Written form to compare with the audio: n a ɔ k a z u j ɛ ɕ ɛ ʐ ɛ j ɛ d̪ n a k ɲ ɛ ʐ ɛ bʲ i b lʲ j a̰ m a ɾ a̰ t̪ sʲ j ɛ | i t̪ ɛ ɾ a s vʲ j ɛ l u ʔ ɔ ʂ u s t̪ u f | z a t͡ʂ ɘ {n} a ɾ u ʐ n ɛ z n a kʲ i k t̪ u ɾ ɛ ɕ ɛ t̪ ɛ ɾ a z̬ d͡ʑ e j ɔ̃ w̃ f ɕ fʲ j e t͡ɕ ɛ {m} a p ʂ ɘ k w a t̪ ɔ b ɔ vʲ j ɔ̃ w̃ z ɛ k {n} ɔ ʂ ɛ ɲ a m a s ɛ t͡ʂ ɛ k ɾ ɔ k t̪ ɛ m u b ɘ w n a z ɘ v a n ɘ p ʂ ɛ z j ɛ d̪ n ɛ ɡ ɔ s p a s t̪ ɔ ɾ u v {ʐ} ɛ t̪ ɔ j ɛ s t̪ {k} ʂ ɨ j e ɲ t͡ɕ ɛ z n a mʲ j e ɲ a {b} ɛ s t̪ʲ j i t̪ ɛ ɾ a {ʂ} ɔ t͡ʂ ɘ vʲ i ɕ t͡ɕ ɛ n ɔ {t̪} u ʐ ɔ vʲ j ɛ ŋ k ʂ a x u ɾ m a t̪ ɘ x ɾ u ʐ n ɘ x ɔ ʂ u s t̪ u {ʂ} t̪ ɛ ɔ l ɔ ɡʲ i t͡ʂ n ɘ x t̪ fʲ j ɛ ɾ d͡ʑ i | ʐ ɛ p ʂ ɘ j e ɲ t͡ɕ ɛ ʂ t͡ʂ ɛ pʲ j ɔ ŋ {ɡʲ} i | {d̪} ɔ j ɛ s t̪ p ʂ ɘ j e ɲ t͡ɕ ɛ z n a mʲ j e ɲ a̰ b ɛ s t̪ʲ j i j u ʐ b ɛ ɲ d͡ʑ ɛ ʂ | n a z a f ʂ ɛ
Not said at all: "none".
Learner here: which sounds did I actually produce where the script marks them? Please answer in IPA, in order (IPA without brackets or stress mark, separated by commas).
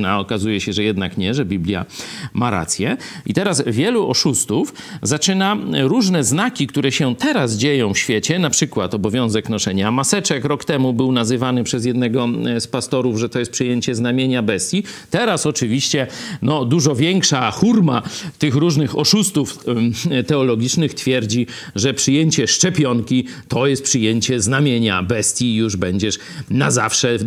n, n, n, ʐ, p, b, s, d̪, f, kʲ, t̪